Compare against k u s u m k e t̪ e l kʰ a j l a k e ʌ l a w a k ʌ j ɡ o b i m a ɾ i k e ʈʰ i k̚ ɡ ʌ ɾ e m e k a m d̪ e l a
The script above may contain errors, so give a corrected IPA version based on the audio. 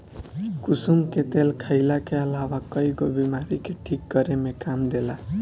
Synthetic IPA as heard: k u s u m k e t̪ e l kʰ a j l a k e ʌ l a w a k ʌ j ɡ o b i m a ɾ i k e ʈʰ i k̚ ɡ ʌ ɾ e m e k a m d̪ e l a

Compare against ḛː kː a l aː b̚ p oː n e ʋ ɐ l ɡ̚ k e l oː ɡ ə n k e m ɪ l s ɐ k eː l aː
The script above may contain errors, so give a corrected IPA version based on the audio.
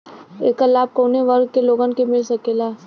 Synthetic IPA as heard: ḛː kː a l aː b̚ k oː n e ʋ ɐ ɾ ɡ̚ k e l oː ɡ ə n k e m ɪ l s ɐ k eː l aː

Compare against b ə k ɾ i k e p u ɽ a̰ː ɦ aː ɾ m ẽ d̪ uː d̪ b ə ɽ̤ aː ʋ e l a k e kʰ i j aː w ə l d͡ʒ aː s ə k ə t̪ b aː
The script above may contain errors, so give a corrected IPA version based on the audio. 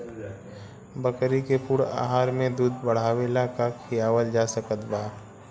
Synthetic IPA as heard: b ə k ɾ i k e p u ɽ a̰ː ɦ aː ɾ m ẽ d̪ uː d̪ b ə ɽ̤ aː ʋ e l a k a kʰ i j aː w ə l d͡ʒ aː s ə k ə t̪ b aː

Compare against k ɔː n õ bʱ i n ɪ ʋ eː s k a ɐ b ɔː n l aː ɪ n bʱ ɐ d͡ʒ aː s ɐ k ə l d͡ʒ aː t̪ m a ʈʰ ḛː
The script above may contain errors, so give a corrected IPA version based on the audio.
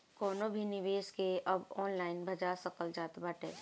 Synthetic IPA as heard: k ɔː n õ bʱ i n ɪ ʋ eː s k e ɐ b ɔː n l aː ɪ n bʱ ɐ d͡ʒ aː s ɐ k ə l d͡ʒ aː t̪ b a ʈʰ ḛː

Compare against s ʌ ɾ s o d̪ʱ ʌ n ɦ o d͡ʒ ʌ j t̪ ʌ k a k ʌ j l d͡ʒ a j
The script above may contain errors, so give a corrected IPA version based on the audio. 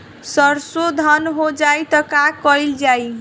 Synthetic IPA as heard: s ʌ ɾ s o d̪ʱ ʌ n ɦ o d͡ʒ a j t̪ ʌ k a k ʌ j l d͡ʒ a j

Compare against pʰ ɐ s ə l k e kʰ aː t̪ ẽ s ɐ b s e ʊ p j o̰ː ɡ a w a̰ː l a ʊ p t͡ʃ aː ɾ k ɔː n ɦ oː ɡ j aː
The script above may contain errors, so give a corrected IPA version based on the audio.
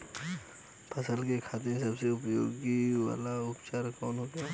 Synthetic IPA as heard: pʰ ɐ s ə l k e kʰ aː t̪ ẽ s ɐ b s e ʊ p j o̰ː ɡ i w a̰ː l a ʊ p t͡ʃ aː ɾ k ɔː n ɦ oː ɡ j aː

